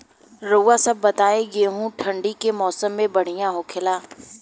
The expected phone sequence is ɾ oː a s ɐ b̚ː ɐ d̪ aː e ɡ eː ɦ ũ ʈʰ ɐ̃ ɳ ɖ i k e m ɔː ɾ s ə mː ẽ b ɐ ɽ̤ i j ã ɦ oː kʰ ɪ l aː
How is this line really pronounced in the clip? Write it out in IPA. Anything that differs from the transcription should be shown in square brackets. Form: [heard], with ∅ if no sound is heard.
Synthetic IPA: ɾ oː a s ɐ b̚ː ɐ [t̪] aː e ɡ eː ɦ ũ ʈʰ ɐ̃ ɳ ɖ i k e m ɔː [∅] s ə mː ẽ b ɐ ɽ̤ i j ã ɦ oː kʰ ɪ l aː